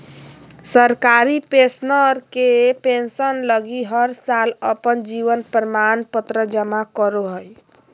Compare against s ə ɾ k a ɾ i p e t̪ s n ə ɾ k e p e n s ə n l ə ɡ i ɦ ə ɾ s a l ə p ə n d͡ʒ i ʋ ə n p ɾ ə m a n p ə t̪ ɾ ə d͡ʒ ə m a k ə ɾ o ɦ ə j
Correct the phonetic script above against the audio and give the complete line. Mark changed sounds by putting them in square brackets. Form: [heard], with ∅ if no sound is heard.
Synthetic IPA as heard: s ə ɾ k a ɾ i p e [∅] s n ə ɾ k e p e n s ə n l ə ɡ i ɦ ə ɾ s a l ə p ə n d͡ʒ i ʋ ə n p ɾ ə m a n p ə t̪ ɾ ə d͡ʒ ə m a k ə ɾ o ɦ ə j